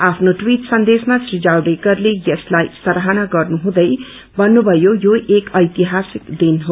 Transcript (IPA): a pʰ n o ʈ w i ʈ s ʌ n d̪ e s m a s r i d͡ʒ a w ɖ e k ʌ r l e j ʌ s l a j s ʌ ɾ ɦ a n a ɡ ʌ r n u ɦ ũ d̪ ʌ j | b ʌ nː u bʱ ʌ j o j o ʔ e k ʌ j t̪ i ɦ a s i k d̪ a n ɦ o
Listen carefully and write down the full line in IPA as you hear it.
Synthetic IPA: a pʰ n o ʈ w i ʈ s ʌ n d̪ e s m a s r i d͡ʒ a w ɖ e k ʌ r l e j ʌ s l a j s ʌ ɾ ɦ a n a ɡ ʌ r n u ɦ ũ d̪ ʌ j | b ʌ nː u bʱ ʌ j o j o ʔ e k ʌ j t̪ i ɦ a s i k d̪ i n ɦ o